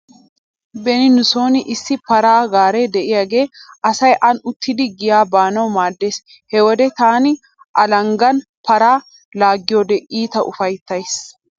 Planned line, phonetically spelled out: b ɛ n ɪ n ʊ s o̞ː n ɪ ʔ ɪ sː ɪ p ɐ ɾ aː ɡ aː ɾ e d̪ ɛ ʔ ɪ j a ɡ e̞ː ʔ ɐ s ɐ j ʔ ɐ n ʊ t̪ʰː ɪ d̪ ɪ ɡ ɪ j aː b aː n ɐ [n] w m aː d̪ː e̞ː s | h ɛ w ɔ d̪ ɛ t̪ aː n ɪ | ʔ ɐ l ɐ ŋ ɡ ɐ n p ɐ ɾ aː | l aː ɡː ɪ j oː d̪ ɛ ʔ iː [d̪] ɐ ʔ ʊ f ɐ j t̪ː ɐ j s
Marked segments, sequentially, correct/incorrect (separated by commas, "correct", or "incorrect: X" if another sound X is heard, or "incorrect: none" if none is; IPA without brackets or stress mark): incorrect: none, incorrect: t̪